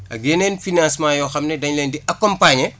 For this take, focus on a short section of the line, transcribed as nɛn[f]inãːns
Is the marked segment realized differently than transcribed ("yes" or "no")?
no